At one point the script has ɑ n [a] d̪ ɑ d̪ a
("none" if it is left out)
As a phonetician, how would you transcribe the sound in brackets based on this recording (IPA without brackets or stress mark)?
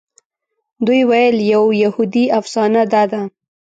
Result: a